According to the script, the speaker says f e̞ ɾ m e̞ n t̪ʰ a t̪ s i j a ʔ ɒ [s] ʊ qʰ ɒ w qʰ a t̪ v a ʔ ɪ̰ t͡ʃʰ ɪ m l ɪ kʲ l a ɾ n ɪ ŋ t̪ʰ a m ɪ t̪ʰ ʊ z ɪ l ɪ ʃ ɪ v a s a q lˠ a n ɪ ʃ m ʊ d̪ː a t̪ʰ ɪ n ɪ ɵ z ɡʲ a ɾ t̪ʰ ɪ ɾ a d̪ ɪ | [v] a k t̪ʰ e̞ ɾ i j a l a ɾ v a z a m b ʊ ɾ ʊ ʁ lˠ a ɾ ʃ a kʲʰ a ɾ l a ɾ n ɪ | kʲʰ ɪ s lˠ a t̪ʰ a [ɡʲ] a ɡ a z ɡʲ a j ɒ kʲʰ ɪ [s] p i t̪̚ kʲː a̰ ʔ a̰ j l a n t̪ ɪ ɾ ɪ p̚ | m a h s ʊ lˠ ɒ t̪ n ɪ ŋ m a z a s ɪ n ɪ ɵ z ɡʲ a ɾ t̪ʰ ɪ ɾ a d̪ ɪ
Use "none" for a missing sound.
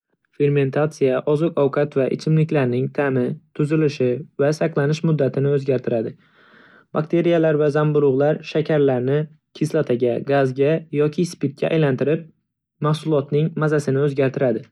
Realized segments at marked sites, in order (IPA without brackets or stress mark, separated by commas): z, b, ɡʲ, s